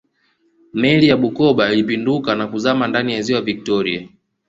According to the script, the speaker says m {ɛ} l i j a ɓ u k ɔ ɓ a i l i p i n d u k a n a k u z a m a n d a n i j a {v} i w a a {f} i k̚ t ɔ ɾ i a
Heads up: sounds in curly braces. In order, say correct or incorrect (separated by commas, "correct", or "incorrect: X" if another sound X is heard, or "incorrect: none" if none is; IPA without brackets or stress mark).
correct, incorrect: z, incorrect: v